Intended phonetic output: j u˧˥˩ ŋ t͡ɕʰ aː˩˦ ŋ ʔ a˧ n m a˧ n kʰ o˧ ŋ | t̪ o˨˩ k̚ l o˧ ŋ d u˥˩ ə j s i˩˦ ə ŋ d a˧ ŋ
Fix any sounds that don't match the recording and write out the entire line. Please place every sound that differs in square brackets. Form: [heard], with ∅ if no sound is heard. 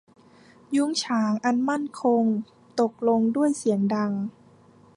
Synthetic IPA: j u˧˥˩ ŋ t͡ɕʰ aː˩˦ ŋ ʔ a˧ n m [a˥˩] n kʰ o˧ ŋ | t̪ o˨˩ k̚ l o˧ ŋ d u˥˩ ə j s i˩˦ ə ŋ d a˧ ŋ